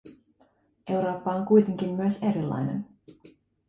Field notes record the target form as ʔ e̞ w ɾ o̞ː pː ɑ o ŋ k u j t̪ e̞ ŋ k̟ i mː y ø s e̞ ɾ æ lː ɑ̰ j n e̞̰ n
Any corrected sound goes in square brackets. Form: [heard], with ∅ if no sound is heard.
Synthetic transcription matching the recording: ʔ e̞ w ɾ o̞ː pː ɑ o ŋ k u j t̪ e̞ ŋ k̟ i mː y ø s e̞ ɾ [i] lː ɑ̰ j n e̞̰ n